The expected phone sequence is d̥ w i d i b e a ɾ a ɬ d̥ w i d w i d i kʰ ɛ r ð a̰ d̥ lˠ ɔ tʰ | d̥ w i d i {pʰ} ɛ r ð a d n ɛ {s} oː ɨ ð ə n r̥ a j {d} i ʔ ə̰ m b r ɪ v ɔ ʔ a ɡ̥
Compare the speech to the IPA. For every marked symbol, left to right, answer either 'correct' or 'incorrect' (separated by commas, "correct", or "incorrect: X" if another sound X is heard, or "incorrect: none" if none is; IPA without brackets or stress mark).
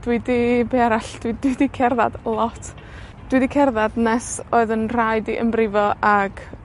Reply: incorrect: kʰ, correct, correct